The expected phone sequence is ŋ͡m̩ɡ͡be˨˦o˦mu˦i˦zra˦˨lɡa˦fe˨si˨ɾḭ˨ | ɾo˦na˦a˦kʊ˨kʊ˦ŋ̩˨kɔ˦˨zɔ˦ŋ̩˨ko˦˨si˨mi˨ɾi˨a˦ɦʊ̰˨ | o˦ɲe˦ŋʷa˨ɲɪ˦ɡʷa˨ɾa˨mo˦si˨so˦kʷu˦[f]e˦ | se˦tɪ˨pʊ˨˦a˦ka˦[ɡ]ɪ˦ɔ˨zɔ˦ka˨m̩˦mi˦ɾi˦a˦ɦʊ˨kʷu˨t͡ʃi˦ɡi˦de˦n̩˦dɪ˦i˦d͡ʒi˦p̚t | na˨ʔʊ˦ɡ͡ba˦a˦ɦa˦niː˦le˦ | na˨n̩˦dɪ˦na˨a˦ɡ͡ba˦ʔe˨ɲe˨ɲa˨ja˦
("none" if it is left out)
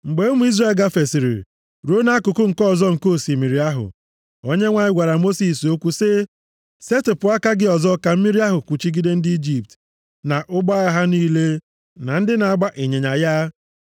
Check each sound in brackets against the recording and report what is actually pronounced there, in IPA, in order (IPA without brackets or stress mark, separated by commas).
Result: s, ɡ